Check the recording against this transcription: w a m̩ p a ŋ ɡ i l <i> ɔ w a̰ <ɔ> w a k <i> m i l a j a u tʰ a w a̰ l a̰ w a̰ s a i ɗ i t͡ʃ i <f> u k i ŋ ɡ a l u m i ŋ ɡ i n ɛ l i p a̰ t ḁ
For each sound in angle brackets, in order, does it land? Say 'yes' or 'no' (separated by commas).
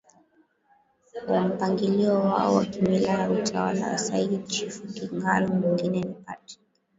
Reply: yes, yes, yes, yes